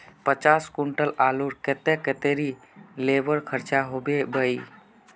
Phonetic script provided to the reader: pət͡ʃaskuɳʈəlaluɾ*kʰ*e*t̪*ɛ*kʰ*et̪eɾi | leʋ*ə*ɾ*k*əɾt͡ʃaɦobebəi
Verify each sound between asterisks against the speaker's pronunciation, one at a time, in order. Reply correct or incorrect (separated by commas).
incorrect, correct, incorrect, correct, incorrect